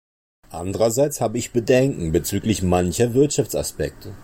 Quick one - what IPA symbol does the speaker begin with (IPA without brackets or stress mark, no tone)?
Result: ʔ